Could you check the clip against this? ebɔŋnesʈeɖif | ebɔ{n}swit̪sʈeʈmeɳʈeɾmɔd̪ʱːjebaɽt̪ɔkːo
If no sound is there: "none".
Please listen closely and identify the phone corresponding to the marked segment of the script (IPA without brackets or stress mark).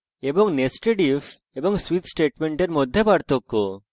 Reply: ŋ